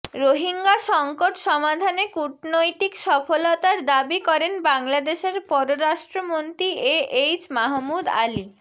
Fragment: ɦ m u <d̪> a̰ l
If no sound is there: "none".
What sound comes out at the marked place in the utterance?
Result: d̪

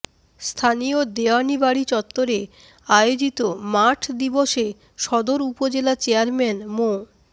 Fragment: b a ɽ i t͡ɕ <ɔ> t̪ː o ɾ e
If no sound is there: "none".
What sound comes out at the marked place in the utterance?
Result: ɔ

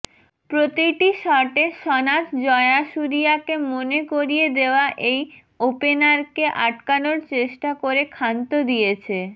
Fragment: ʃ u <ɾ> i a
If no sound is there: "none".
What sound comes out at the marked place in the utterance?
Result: ɾ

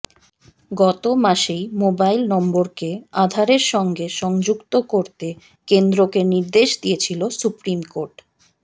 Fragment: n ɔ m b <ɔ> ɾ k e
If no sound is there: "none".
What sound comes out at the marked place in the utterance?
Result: o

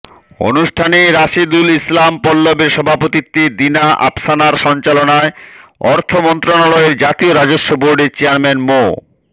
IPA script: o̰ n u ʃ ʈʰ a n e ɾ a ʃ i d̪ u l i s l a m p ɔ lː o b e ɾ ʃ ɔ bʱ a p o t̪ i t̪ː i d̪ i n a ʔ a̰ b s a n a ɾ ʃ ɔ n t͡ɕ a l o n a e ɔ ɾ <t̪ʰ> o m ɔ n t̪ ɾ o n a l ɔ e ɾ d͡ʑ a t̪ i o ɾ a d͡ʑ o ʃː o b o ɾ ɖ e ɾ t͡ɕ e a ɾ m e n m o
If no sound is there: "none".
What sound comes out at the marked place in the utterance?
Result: t̪ʰ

